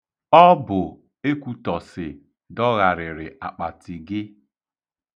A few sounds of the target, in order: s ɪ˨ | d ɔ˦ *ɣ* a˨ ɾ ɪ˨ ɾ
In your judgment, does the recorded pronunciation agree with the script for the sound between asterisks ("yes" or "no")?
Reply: yes